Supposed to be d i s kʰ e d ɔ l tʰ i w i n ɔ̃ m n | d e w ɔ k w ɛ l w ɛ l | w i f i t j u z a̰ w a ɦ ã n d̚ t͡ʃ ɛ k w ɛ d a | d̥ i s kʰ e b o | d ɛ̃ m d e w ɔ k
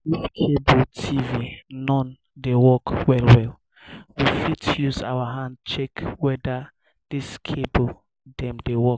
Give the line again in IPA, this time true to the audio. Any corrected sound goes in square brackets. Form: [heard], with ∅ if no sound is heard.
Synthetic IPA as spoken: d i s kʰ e [b] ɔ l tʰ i [v] i n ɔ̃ [∅] n | d e w ɔ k w ɛ l w ɛ l | w i f i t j u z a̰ w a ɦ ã n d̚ t͡ʃ ɛ k w ɛ d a | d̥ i s kʰ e b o | d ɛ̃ m d e w ɔ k